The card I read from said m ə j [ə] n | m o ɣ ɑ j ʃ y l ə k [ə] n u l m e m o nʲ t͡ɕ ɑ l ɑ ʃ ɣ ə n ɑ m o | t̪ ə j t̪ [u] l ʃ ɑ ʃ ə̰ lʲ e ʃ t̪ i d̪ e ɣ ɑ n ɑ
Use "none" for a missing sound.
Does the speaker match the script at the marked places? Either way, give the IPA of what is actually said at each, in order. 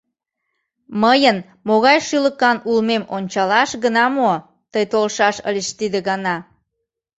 ə, ɑ, o

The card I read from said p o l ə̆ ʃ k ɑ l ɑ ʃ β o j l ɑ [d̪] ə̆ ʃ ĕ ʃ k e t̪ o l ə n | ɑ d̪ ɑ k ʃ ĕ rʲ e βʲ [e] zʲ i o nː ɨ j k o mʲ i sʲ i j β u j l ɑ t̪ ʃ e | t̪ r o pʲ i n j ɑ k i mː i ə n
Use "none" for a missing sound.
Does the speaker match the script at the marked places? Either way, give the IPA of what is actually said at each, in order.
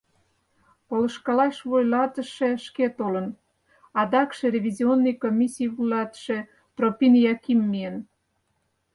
t̪, i

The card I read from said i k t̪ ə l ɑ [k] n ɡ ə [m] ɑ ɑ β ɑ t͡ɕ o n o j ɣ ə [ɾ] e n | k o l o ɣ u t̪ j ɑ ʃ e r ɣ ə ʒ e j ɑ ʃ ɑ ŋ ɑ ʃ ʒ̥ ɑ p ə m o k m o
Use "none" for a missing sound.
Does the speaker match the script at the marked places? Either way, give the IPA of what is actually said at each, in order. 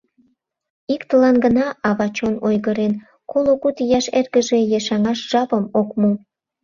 none, n, ɾ

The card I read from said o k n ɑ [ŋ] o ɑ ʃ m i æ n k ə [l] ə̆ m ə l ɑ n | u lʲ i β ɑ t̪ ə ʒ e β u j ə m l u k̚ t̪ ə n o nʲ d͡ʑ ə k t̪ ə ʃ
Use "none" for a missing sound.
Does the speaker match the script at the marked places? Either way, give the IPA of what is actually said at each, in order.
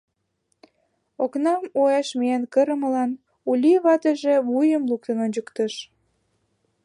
m, ɾ

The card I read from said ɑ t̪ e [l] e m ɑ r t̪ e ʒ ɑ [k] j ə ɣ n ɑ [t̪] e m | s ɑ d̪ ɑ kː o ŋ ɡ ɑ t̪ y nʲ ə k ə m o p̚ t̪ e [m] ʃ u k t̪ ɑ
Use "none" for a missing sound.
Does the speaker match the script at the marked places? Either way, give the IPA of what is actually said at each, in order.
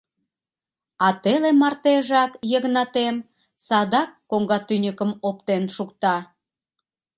l, k, t̪, n

